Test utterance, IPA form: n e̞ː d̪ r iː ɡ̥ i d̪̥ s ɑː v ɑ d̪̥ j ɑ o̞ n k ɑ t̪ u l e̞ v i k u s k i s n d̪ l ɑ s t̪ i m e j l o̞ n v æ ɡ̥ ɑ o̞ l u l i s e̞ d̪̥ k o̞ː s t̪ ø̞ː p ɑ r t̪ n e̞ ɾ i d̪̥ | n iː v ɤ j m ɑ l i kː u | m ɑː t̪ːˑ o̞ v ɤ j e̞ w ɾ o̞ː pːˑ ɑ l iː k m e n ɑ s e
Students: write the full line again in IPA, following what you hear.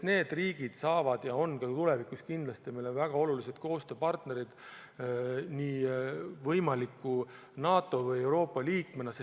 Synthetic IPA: n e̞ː d̪ r iː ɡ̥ i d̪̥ s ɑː v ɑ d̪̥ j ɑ o̞ n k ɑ t̪ u l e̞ v i k u s k i n d̪ l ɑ s t̪ i m e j l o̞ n v æ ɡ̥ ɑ o̞ l u l i s e̞ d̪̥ k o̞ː s t̪ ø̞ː p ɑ r t̪ n e̞ ɾ i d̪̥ | n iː v ɤ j m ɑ l i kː u | n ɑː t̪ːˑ o̞ v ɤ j e̞ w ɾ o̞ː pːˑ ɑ l iː k m e n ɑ s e